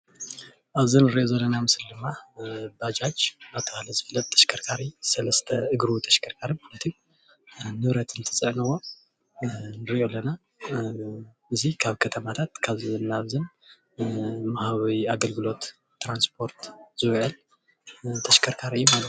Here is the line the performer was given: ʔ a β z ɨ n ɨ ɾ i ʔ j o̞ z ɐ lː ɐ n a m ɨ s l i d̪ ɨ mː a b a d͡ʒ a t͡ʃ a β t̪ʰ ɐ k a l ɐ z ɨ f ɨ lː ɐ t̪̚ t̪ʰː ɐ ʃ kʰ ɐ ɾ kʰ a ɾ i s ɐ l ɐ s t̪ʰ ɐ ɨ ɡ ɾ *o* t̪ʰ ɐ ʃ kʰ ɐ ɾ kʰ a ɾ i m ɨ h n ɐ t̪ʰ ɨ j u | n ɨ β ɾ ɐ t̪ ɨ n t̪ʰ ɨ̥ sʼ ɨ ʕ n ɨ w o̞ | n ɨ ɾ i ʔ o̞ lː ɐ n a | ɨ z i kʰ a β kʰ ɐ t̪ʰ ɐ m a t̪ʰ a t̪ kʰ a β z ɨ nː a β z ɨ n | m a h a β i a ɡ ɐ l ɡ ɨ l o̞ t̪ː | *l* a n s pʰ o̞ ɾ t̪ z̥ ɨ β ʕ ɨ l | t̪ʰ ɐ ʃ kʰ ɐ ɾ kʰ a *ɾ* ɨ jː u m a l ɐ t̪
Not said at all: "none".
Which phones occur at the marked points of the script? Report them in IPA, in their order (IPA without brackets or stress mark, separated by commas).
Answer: u, ɾ, ɾ